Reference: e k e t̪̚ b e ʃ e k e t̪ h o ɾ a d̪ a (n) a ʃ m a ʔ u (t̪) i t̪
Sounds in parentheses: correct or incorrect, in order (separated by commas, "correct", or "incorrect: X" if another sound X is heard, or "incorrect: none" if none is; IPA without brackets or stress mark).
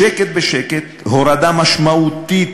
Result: incorrect: m, correct